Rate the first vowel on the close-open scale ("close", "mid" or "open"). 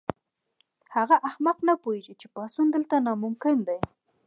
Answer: open